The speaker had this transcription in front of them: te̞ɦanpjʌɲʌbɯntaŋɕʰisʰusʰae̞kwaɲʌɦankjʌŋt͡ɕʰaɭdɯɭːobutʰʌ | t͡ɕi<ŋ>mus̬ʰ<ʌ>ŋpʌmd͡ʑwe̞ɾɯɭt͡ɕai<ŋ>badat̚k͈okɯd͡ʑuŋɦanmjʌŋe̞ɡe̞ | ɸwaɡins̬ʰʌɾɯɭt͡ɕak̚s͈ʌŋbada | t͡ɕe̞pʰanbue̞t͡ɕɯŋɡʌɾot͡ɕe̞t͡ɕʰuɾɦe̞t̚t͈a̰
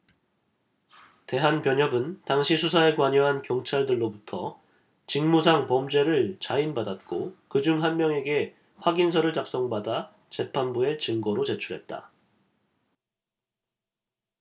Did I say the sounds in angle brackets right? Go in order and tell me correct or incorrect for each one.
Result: correct, incorrect, incorrect

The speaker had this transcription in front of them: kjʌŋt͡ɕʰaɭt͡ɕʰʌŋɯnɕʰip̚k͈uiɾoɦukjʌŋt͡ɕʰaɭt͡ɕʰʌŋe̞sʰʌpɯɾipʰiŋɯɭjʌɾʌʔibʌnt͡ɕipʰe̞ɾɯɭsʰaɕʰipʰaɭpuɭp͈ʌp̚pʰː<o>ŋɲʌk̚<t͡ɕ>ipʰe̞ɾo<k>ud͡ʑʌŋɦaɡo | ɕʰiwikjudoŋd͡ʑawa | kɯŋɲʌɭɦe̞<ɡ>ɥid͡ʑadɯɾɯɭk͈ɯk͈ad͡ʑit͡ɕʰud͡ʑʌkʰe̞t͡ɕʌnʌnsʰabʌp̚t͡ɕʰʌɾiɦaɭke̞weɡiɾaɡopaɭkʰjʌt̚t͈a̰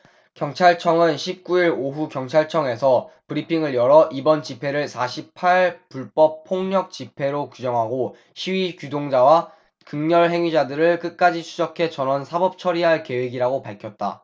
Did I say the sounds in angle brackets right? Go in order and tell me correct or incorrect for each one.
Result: correct, correct, correct, incorrect

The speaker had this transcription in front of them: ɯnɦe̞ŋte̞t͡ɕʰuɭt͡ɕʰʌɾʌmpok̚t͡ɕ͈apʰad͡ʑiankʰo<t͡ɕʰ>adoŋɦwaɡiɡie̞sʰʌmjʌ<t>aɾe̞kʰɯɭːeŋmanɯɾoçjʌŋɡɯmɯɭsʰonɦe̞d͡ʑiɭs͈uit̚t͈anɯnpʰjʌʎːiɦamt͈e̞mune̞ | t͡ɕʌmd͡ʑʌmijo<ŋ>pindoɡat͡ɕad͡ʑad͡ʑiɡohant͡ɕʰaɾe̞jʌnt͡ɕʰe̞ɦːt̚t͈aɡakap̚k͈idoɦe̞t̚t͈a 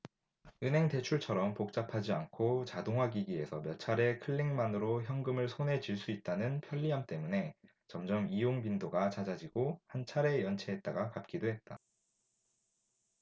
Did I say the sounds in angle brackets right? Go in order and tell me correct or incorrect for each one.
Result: incorrect, incorrect, correct

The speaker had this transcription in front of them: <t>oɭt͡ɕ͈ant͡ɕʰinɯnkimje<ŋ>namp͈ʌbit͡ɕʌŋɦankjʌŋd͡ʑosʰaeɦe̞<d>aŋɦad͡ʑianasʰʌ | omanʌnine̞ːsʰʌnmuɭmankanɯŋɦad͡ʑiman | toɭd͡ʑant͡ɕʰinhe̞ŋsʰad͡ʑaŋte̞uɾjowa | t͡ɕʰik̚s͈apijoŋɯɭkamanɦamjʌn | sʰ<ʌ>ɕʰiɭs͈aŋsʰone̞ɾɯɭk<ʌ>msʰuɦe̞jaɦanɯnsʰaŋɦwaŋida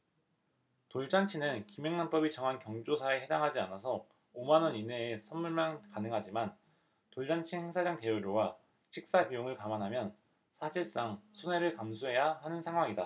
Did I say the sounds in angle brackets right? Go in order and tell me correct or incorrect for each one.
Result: correct, correct, correct, incorrect, incorrect

